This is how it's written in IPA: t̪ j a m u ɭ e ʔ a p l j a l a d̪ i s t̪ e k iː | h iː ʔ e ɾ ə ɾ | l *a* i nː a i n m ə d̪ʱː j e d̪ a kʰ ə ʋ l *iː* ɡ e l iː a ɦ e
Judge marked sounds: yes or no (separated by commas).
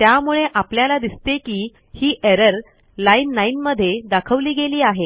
yes, yes